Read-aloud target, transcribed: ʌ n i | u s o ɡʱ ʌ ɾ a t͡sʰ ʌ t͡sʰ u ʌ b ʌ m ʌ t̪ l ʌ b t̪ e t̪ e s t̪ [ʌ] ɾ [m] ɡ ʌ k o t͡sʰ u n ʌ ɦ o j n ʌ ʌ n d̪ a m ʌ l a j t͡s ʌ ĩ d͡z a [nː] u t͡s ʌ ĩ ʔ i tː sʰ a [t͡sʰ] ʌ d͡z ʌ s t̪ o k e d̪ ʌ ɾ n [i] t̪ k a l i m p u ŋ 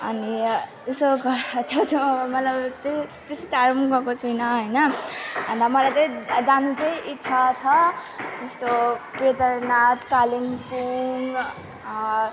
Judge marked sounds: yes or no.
no, yes, no, yes, no

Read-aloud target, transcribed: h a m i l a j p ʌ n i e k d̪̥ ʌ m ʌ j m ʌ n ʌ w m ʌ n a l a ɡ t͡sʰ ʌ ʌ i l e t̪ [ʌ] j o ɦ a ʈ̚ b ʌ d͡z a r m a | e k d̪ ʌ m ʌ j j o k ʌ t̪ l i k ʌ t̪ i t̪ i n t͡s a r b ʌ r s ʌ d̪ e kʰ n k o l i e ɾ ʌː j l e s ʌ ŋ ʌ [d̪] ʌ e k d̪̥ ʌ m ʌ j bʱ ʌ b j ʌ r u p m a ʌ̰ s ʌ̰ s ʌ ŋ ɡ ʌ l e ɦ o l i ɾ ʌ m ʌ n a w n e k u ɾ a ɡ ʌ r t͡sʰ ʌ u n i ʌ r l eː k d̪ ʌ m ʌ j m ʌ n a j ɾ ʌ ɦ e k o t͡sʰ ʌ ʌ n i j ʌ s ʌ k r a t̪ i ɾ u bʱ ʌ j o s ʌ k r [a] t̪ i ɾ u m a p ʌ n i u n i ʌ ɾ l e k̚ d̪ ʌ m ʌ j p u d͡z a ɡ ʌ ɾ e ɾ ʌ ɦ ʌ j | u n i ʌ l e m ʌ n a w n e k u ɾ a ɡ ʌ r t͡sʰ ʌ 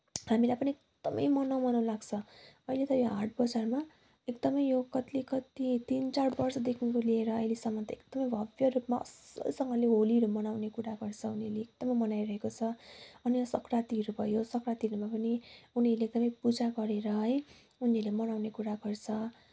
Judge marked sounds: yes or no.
yes, no, yes

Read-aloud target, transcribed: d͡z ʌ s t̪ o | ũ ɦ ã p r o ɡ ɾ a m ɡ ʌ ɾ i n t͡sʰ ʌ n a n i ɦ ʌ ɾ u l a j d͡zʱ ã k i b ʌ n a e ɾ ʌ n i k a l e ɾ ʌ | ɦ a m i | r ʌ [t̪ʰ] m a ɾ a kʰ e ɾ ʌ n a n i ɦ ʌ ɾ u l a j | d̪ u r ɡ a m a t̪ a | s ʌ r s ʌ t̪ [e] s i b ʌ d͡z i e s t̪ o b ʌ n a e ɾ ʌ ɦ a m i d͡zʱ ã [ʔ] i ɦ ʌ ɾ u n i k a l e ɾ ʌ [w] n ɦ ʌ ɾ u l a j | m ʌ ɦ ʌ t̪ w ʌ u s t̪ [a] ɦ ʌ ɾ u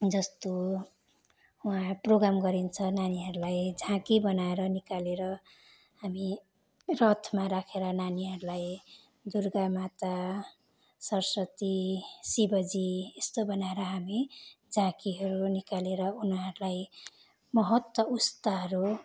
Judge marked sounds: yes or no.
yes, no, no, no, yes

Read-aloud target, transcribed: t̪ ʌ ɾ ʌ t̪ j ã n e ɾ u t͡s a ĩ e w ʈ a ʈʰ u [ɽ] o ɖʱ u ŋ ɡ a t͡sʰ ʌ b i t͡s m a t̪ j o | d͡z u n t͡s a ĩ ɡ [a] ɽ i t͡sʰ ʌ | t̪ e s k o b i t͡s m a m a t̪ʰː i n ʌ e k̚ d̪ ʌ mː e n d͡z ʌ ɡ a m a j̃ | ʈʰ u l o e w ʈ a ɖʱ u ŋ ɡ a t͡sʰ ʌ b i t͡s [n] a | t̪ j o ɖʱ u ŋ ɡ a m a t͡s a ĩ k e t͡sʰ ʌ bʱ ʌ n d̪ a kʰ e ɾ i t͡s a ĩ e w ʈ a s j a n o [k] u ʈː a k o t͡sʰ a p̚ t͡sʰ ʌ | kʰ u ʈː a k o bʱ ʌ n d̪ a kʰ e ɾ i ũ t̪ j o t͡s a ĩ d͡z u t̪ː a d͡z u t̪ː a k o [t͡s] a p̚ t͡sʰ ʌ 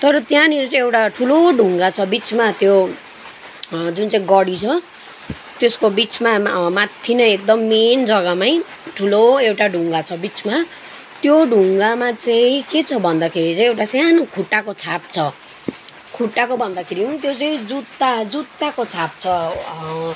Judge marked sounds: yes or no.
no, no, no, no, no

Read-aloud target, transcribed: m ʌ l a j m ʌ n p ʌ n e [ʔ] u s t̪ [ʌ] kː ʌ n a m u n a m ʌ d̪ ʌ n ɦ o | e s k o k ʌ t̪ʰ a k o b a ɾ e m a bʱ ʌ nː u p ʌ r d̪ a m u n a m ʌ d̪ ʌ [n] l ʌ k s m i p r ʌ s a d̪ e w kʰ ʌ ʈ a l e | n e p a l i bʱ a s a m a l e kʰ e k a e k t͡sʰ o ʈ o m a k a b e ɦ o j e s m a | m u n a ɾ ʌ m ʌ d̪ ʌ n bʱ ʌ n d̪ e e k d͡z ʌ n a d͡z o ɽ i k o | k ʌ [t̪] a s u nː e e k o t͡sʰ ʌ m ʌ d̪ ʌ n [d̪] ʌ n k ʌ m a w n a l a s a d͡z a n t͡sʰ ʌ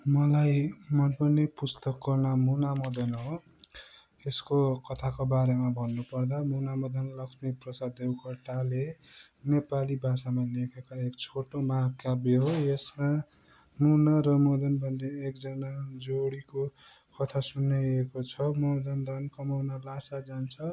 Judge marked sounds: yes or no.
no, yes, yes, no, yes

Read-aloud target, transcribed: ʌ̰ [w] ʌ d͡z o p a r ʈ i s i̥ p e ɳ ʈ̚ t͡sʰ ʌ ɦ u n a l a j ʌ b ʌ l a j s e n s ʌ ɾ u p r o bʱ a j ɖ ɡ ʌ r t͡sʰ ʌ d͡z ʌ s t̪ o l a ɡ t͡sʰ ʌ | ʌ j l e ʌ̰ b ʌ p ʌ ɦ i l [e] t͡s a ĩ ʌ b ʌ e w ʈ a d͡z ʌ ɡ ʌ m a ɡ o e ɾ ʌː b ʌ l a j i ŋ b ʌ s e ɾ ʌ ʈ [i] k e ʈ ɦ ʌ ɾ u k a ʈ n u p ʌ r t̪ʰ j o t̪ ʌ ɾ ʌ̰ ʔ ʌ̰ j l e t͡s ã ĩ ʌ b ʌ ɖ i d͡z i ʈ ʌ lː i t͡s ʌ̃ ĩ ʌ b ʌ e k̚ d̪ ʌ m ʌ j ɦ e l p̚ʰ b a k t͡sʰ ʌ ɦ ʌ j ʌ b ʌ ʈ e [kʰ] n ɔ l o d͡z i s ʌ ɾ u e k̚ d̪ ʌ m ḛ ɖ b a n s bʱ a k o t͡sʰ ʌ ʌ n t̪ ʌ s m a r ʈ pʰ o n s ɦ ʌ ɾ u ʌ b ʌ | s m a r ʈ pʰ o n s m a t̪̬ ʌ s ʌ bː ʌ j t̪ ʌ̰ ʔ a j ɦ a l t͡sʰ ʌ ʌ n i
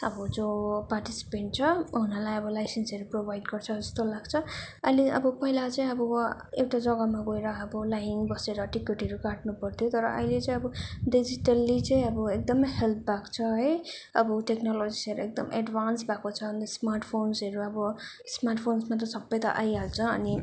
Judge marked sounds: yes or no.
no, no, yes, no

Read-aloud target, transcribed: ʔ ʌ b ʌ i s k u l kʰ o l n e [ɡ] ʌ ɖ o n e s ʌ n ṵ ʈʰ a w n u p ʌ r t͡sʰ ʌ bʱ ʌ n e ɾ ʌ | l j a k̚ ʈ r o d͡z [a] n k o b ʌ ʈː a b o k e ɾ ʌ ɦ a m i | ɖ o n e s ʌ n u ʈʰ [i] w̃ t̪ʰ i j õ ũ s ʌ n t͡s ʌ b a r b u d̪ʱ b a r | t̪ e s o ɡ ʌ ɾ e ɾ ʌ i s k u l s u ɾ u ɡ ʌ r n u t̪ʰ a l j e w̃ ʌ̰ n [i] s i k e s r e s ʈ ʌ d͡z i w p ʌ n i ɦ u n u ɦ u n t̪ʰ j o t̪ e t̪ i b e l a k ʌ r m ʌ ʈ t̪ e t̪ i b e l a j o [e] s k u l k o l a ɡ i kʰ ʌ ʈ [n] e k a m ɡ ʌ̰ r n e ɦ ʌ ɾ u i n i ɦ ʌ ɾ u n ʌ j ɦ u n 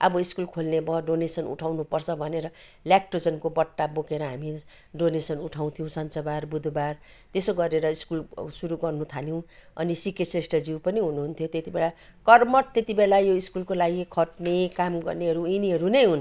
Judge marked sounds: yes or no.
no, no, no, yes, no, yes

